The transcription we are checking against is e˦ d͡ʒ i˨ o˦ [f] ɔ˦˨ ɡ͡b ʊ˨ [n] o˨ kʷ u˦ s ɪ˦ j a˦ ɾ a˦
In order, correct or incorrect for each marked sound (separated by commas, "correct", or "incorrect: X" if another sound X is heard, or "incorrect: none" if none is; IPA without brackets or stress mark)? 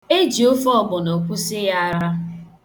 correct, correct